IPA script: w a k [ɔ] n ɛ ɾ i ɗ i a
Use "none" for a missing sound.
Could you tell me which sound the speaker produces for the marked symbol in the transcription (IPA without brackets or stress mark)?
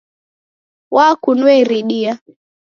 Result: u